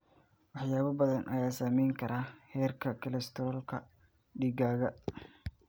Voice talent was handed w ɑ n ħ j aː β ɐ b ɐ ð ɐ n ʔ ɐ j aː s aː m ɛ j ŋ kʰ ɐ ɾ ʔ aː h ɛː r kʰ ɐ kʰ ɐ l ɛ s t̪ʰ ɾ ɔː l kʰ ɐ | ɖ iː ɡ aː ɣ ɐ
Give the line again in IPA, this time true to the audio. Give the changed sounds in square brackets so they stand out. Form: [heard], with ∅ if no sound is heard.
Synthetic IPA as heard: w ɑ [∅] ħ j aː β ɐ b ɐ ð ɐ n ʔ ɐ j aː s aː m ɛ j ŋ kʰ ɐ ɾ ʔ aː h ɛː r kʰ ɐ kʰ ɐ l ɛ s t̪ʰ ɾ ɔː l kʰ ɐ | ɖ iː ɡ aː ɣ ɐ